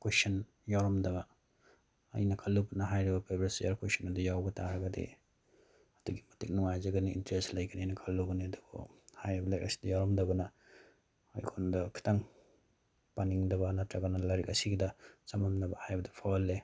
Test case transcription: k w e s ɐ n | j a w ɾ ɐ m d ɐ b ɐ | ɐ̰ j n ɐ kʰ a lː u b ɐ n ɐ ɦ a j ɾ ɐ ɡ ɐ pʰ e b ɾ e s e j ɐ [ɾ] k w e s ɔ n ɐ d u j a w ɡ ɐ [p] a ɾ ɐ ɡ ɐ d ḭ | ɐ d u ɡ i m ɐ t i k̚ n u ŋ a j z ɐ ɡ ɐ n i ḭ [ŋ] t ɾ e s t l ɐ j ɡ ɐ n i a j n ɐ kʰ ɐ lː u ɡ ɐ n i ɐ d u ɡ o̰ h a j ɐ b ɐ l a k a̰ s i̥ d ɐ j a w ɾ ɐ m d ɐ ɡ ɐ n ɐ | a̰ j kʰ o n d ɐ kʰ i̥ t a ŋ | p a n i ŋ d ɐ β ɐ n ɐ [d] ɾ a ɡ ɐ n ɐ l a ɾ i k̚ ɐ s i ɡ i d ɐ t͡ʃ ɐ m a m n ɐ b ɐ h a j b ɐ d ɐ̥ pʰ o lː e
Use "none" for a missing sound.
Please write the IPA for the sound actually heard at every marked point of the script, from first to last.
ɾ, t, n, t

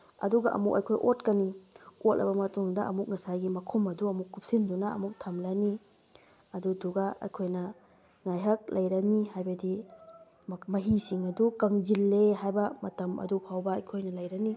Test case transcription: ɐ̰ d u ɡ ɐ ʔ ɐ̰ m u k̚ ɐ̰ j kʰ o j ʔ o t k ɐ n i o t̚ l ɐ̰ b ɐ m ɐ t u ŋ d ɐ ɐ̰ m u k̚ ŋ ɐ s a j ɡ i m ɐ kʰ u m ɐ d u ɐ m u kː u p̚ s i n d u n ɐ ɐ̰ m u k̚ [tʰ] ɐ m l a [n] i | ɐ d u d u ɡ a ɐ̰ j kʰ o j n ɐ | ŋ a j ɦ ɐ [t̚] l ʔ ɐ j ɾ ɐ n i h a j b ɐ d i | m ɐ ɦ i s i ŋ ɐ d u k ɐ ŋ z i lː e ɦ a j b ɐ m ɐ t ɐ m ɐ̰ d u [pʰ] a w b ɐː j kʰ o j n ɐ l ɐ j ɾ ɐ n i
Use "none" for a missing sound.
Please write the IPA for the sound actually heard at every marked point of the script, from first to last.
tʰ, n, k̚, pʰ

